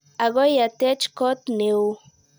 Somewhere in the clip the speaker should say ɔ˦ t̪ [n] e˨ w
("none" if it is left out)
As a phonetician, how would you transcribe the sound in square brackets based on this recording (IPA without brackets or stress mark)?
n